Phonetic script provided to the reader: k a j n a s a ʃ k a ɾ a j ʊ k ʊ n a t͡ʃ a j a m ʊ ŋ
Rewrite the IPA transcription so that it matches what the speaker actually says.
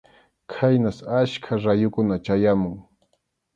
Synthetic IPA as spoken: kʰ a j n a s a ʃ kʰ a ɾ a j ʊ k ʊ n a t͡ʃ a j a m ʊ ŋ